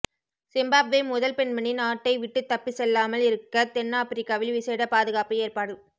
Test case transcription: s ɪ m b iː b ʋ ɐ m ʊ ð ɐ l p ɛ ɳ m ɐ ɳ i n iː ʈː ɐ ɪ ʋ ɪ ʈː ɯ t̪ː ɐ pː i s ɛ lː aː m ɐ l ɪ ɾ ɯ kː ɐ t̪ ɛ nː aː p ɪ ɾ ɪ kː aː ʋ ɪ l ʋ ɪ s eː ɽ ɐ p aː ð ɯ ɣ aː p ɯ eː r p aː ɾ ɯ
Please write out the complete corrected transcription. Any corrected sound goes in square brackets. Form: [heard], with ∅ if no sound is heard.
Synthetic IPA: s ɪ m b [aː] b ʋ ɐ m ʊ ð ɐ l p ɛ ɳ m ɐ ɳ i n [aː] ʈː ɐ ɪ ʋ ɪ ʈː ɯ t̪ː ɐ pː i s ɛ lː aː m ɐ l ɪ ɾ ɯ kː ɐ t̪ ɛ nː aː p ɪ ɾ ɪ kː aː ʋ ɪ l ʋ ɪ s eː ɽ ɐ p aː ð ɯ ɣ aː p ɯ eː r p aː [ɽ] ɯ